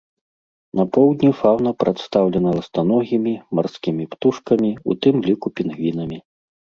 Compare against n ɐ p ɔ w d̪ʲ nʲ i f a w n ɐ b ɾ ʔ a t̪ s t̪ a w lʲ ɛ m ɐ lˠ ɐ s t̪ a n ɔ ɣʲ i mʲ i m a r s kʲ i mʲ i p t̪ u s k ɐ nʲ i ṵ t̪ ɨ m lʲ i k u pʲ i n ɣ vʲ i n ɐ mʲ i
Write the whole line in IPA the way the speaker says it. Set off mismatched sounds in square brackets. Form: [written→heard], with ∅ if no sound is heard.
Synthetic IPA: n ɐ p ɔ w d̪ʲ nʲ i f a w n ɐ [b→p] ɾ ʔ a t̪ s t̪ a w lʲ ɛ [m→n] ɐ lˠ ɐ s t̪ a n ɔ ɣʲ i mʲ i m a r s kʲ i mʲ i p t̪ u [s→ʂ] k ɐ [nʲ→mʲ] i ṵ t̪ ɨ m lʲ i k u pʲ i n ɣ vʲ i n ɐ mʲ i